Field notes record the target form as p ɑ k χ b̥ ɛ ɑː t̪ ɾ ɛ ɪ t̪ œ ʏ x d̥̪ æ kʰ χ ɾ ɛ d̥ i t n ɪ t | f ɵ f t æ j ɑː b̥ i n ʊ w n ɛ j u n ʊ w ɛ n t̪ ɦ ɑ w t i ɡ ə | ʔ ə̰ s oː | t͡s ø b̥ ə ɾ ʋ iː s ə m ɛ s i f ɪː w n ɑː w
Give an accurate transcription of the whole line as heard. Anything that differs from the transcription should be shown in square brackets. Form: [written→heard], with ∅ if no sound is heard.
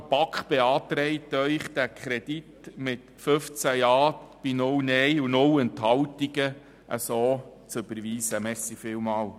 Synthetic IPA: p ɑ k χ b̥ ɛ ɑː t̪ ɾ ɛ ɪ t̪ œ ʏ [x→χ] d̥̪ æ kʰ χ ɾ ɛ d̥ i t [n→m] ɪ t | f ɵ f [t→t͡s] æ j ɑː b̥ i n ʊ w n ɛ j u n ʊ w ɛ n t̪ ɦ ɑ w t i ɡ ə | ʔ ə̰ s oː | t͡s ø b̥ ə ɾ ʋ iː s ə m ɛ s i f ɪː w [n→m] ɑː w